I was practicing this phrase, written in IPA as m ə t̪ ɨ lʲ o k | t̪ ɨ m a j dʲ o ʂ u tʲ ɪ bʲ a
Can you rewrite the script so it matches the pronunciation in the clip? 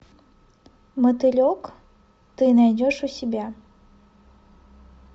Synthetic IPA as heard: m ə t̪ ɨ lʲ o k | t̪ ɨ n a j dʲ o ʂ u sʲ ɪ bʲ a